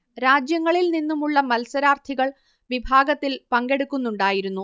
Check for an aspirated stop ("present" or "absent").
present